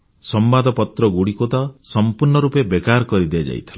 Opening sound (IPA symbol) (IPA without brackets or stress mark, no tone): s